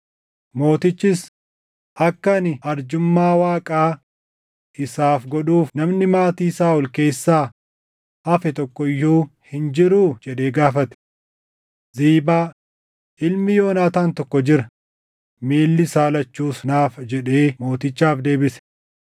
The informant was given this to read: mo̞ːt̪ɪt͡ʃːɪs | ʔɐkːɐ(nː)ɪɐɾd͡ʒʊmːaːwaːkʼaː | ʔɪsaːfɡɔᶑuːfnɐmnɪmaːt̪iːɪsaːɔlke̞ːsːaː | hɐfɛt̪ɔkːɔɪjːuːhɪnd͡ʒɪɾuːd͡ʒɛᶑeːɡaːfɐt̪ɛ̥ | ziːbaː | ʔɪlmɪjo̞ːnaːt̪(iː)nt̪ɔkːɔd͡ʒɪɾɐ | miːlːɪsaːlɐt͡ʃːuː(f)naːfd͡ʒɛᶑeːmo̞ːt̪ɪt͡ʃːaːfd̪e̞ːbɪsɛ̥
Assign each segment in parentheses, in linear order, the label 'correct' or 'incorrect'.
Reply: incorrect, incorrect, incorrect

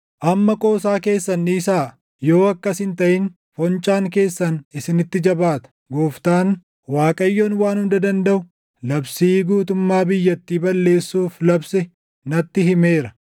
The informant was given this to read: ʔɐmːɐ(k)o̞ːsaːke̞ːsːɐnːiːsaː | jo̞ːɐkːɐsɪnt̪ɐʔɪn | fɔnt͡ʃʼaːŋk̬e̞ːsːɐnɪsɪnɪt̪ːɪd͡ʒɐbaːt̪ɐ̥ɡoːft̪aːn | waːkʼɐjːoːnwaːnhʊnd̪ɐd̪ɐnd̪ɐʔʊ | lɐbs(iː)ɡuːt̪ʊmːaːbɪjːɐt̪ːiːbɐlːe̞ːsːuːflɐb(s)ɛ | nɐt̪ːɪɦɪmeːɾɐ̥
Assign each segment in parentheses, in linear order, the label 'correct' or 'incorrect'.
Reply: incorrect, correct, correct

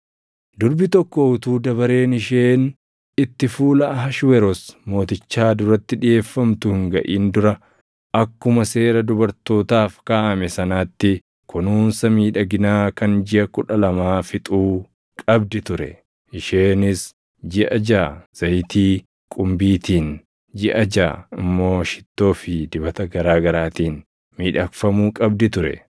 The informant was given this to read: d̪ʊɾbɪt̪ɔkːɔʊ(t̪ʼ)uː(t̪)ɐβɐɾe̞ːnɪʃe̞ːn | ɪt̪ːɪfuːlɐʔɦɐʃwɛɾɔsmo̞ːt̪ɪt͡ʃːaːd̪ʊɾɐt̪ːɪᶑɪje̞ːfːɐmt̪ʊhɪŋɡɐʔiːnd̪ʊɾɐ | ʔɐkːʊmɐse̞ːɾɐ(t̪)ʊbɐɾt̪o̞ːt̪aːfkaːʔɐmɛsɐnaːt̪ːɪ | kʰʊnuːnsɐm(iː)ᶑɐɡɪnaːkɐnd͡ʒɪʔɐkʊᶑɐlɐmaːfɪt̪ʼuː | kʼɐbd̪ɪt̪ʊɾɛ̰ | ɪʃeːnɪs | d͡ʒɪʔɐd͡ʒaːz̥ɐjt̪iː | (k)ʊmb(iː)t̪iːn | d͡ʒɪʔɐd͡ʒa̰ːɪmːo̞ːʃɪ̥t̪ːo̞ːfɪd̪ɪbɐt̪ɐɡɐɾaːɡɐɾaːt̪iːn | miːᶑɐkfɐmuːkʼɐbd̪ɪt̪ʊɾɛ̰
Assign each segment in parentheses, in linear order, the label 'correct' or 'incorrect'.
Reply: incorrect, incorrect, incorrect, correct, incorrect, correct

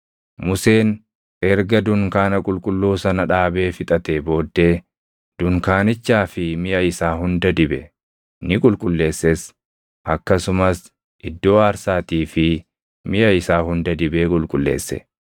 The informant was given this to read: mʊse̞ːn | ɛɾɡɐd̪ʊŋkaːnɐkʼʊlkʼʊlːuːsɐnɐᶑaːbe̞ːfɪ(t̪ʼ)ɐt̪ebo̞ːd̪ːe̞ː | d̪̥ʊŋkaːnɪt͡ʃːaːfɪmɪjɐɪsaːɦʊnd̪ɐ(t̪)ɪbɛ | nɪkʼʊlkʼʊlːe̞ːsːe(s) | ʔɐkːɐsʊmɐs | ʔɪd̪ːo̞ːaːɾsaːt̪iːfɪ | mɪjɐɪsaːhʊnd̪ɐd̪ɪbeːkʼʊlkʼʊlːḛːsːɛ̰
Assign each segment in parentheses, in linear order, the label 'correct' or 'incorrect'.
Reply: correct, incorrect, correct

